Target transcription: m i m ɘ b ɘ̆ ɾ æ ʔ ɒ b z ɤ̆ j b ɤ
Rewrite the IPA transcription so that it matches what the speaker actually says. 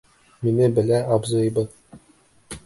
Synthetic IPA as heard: m i n ɘ b ɘ̆ l æ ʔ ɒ b z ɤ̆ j b ɤ